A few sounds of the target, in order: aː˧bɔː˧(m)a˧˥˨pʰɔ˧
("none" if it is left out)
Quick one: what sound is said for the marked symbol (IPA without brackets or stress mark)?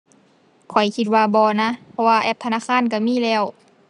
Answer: n